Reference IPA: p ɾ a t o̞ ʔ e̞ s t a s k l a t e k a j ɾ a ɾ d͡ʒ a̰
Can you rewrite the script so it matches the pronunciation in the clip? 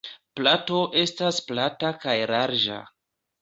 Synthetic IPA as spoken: p l a t o̞ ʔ e̞ s t a s p l a t a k a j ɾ a ɾ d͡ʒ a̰